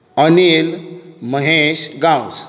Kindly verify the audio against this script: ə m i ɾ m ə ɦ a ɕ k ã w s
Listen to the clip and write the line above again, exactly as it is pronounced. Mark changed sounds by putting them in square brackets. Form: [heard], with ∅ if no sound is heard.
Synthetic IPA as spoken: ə [n] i [l] m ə ɦ [e] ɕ [ɡ] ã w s